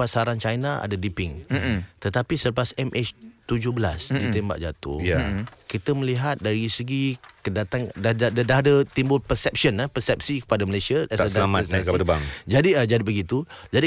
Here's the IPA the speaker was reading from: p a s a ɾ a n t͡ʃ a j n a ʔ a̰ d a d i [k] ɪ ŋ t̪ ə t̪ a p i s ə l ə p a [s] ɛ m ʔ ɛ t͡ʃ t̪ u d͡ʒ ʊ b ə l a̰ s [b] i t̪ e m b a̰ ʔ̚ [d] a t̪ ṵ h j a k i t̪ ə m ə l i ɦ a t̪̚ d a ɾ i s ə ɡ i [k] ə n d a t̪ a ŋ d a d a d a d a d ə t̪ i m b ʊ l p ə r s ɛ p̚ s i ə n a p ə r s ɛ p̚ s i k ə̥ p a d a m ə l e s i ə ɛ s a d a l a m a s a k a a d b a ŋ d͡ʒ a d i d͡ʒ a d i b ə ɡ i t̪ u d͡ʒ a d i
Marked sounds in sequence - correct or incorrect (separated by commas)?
incorrect, correct, incorrect, incorrect, correct